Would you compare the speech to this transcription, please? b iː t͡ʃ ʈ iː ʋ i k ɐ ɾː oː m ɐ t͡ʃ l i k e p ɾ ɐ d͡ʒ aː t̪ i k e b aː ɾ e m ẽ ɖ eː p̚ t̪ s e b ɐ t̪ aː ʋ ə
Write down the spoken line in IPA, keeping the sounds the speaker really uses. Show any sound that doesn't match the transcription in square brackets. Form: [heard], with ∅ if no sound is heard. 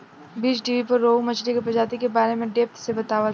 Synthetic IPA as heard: b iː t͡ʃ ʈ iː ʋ i [p] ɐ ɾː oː m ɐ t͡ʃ l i k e p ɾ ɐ d͡ʒ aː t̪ i k e b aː ɾ e m ẽ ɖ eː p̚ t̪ s e b ɐ t̪ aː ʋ ə